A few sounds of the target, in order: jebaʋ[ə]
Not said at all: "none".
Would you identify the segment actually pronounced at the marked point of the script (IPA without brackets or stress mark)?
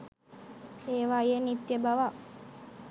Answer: a